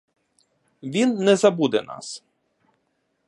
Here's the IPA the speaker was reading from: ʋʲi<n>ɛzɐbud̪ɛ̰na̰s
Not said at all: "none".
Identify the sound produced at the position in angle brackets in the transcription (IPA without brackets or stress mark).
nː